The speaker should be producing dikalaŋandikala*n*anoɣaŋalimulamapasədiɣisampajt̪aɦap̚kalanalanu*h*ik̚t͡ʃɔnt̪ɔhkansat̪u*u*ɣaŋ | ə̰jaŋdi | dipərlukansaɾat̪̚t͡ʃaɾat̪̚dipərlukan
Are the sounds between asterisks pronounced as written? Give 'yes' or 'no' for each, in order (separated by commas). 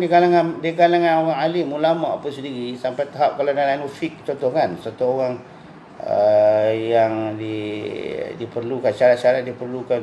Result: no, no, no